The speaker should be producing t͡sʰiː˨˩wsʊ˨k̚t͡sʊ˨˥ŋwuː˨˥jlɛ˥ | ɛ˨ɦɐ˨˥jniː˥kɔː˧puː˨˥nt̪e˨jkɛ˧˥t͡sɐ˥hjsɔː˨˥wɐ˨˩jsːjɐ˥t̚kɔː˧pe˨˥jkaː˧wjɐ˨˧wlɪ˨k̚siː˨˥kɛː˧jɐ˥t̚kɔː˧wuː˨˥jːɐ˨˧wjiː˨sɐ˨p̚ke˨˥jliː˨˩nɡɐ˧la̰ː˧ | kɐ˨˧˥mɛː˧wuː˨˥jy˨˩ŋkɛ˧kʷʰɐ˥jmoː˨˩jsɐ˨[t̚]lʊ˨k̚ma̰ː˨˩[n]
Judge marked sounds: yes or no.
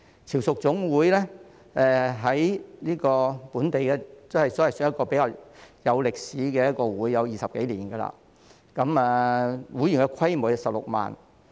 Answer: no, yes

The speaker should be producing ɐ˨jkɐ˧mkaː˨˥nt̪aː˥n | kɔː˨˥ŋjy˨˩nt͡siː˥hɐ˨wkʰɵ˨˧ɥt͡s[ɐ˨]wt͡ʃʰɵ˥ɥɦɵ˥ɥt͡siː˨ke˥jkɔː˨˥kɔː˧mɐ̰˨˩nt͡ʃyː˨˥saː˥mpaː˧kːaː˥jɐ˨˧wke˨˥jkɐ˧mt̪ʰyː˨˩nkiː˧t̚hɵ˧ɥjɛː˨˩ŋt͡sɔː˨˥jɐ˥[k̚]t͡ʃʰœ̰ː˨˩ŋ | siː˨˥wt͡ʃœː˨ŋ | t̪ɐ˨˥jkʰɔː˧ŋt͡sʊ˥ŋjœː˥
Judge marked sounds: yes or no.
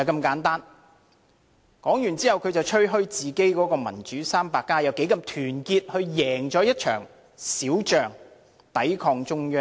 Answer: yes, no

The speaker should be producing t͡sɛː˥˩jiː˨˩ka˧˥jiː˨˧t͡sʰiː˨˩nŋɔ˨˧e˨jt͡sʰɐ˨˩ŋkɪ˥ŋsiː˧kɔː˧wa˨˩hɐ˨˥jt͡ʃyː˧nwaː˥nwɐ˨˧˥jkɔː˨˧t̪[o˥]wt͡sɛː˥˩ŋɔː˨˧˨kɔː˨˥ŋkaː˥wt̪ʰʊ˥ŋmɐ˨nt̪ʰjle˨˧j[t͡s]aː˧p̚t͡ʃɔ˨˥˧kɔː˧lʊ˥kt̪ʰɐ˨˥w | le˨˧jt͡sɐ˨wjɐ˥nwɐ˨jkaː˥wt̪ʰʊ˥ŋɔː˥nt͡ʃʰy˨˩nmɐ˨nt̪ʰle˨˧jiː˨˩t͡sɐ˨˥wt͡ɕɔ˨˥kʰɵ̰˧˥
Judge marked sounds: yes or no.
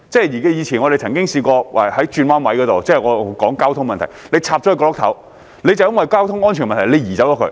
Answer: no, no

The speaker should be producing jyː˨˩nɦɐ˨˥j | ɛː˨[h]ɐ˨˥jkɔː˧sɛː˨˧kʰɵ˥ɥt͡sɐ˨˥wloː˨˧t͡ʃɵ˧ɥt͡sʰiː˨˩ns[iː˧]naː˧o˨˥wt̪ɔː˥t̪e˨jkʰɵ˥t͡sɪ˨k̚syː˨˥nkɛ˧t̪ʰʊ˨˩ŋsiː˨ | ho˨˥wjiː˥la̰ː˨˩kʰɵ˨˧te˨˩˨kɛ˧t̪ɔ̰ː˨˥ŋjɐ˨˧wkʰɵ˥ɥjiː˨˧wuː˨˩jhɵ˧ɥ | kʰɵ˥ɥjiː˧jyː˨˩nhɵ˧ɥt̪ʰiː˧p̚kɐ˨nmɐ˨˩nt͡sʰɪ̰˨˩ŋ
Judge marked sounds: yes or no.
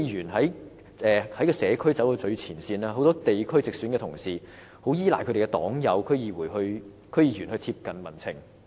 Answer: yes, yes

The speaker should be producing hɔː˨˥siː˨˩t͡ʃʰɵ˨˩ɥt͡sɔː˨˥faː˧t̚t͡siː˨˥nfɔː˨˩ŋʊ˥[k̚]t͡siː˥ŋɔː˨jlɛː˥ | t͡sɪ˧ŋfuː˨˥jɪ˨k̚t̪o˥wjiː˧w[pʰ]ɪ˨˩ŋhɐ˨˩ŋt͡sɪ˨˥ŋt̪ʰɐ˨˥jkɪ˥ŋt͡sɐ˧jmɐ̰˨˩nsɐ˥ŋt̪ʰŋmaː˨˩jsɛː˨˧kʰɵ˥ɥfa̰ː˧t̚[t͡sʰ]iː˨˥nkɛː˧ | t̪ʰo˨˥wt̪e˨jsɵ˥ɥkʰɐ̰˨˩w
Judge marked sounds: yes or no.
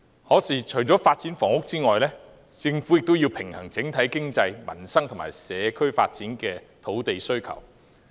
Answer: yes, yes, no

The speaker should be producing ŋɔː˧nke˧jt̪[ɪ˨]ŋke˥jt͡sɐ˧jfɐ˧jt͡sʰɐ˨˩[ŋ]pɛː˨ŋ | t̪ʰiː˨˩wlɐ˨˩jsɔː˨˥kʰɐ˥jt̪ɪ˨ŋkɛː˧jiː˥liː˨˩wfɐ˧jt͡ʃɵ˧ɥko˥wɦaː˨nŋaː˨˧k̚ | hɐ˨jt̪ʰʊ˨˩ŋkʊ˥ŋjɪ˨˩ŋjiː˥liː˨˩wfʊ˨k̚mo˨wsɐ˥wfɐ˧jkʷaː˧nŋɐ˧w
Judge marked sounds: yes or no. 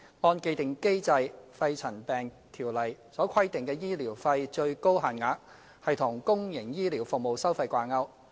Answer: yes, no

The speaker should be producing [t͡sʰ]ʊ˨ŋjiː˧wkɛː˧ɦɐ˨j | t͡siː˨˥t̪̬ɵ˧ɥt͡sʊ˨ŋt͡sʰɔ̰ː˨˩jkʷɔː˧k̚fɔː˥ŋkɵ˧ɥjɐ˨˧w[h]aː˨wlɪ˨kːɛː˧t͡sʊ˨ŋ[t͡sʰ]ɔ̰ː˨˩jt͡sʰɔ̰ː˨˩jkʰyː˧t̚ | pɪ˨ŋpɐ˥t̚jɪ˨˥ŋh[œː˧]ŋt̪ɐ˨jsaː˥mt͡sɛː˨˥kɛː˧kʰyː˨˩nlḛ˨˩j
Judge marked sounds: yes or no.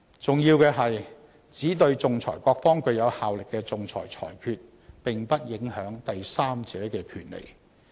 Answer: no, yes, yes, no

